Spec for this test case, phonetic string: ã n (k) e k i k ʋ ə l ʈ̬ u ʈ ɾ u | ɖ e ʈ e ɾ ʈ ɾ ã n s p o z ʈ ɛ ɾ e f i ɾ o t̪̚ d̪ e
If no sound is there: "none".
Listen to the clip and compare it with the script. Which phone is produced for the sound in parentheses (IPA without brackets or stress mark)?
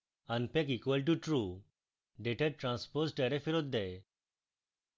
p